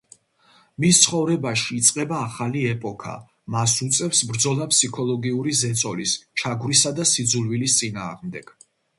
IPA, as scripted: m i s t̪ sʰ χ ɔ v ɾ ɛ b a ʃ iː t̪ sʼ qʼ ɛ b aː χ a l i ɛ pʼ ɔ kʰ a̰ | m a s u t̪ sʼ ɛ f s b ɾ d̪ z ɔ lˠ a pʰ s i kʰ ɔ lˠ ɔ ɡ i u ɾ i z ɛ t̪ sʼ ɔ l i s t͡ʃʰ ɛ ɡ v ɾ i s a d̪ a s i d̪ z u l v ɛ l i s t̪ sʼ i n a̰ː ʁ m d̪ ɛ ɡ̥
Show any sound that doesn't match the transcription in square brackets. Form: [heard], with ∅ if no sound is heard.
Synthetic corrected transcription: m i s t̪ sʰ χ ɔ v ɾ ɛ b a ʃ iː t̪ sʼ qʼ ɛ b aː χ a l i ɛ pʼ ɔ kʰ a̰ | m a s u t̪ sʼ ɛ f s b ɾ d̪ z ɔ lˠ a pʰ s i kʰ ɔ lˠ ɔ ɡ i u ɾ i z ɛ t̪ sʼ ɔ l i s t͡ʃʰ [a] ɡ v ɾ i s a d̪ a s i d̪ z u l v [i] l i s t̪ sʼ i n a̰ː ʁ m d̪ ɛ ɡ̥